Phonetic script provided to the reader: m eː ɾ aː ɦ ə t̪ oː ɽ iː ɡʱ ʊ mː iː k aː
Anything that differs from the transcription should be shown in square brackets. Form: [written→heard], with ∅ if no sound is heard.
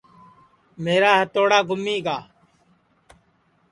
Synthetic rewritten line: m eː ɾ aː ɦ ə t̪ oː ɽ [iː→aː] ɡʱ ʊ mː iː [k→ɡ] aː